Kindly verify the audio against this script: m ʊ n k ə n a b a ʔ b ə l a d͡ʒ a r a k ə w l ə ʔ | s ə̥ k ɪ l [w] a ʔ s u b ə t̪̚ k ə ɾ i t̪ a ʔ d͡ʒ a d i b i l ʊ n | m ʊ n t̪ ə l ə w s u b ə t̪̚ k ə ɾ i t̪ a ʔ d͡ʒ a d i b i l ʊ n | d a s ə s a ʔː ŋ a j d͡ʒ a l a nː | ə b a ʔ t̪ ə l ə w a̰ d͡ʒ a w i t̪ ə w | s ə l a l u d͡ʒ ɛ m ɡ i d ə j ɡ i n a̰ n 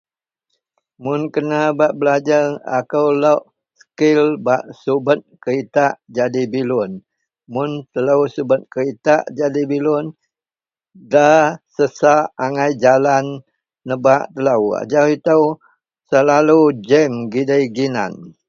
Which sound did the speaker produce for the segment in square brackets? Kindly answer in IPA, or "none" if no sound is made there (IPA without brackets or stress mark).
b